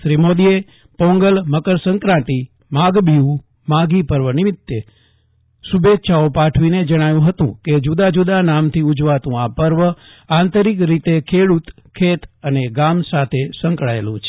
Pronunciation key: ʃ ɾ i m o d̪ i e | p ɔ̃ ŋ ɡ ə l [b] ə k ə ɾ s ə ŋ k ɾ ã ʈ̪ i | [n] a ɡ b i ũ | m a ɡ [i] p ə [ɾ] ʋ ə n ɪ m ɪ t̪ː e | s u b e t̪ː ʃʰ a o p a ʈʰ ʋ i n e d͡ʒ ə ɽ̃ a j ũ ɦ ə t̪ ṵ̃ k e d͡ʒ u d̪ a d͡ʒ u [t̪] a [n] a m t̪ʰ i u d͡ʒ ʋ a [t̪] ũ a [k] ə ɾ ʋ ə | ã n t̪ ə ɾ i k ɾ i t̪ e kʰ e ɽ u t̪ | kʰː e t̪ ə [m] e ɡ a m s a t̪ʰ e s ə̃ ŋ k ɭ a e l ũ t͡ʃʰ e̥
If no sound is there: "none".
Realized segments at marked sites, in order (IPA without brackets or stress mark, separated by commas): m, m, i, ɾ, d̪, n, t̪, p, n